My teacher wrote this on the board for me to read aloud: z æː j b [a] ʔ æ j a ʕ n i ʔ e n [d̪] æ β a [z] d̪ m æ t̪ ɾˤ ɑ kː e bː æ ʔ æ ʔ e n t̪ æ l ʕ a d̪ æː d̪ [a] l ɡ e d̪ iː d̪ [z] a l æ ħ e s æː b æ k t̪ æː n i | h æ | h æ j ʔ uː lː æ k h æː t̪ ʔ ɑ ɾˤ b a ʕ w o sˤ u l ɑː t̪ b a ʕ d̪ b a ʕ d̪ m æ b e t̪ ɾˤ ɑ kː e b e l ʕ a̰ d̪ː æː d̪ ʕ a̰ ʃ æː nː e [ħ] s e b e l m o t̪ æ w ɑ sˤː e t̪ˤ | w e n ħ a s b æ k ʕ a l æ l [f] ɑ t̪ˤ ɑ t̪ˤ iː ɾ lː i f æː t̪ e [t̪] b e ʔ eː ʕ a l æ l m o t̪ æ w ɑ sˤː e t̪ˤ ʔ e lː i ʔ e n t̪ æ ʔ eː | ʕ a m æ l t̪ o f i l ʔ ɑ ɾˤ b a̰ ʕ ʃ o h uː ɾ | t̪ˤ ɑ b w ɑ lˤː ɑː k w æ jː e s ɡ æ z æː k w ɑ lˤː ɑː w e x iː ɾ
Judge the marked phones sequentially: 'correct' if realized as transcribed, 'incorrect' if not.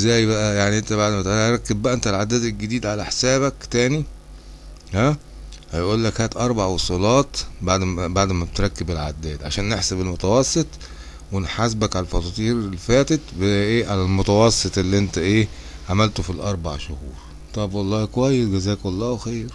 incorrect, incorrect, incorrect, incorrect, incorrect, correct, correct, correct

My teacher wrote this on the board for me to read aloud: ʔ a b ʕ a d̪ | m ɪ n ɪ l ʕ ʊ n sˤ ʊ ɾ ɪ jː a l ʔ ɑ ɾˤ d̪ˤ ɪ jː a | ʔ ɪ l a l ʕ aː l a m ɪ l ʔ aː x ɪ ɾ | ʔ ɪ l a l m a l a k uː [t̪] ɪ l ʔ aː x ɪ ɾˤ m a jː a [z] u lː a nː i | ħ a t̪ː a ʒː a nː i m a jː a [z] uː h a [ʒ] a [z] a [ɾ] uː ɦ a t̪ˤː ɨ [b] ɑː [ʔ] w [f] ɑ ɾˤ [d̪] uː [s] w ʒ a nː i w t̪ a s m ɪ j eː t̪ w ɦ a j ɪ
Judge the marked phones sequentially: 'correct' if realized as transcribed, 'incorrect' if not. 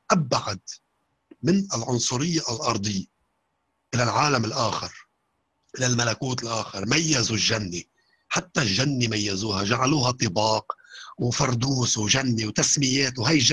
correct, correct, correct, correct, incorrect, incorrect, correct, incorrect, correct, correct, correct

